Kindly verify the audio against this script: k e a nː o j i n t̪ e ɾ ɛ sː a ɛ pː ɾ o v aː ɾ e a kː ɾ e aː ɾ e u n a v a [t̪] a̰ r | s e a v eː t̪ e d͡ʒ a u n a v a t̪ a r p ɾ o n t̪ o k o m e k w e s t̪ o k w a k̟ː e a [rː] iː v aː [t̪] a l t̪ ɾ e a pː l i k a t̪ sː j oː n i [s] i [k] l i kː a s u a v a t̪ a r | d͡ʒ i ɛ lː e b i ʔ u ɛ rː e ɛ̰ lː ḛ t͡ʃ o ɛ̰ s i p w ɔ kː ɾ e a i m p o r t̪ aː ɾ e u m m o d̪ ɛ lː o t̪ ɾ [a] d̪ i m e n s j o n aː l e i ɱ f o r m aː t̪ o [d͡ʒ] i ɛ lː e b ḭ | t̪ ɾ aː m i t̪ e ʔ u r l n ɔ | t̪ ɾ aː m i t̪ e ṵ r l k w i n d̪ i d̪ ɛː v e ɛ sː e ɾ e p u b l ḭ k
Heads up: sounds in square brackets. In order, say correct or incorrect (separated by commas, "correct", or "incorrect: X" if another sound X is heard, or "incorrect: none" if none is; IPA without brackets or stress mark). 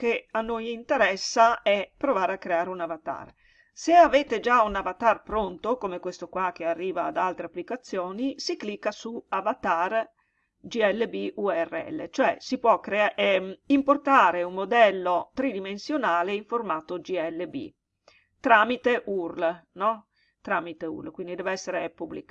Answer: correct, correct, incorrect: d̪, correct, correct, incorrect: i, correct